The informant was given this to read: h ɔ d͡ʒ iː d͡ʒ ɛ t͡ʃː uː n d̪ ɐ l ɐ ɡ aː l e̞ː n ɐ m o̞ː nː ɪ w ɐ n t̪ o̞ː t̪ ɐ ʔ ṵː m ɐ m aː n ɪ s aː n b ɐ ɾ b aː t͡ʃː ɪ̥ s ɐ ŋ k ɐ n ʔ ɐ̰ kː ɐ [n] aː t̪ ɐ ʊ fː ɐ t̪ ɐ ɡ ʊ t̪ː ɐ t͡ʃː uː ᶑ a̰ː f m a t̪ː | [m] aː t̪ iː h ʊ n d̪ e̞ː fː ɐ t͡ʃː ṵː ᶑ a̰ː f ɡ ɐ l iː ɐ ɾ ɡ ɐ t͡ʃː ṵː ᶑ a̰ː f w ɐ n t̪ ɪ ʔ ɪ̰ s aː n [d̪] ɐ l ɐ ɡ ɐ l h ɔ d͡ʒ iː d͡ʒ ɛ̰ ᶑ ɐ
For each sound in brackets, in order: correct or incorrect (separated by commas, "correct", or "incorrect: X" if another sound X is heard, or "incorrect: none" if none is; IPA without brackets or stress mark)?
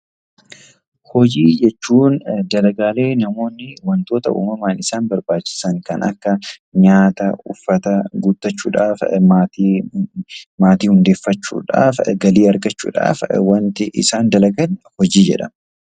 incorrect: ɲ, correct, correct